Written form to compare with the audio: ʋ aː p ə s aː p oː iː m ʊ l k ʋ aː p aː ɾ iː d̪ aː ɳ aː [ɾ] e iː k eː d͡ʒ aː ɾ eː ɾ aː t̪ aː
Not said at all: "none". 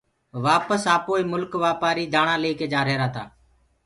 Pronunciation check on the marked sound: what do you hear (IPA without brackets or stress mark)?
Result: l